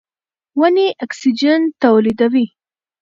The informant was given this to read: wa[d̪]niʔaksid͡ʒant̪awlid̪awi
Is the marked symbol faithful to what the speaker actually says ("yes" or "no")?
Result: no